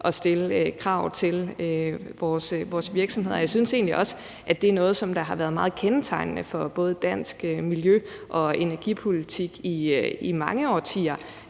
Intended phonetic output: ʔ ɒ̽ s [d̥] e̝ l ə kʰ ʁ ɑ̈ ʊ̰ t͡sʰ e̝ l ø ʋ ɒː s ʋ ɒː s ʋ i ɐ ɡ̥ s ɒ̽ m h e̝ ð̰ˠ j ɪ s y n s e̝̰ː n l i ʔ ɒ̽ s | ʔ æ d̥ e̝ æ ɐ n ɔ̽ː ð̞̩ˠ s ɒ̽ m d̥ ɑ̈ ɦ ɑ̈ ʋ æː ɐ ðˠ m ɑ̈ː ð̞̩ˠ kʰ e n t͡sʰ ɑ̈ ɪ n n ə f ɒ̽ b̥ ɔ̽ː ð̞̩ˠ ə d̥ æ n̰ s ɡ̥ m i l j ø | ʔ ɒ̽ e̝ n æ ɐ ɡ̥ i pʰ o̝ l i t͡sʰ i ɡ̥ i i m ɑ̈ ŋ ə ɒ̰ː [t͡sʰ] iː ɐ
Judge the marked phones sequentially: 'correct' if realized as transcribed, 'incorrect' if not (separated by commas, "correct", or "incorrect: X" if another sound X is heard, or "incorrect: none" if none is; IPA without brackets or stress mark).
correct, correct